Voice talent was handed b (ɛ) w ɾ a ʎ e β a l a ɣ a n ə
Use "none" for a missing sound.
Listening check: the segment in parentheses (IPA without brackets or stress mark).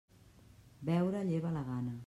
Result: ɛ